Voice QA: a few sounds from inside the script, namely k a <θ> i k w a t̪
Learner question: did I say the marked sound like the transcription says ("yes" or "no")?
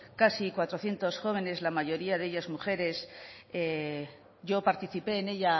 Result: no